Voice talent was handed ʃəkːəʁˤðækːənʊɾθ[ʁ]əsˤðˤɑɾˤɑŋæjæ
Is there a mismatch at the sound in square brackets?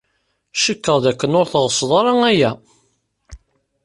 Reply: no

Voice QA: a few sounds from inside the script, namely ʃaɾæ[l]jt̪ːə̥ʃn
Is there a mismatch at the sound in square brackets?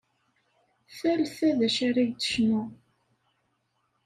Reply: yes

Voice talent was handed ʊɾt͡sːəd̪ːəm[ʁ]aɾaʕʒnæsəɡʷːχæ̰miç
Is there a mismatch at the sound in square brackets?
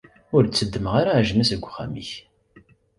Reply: no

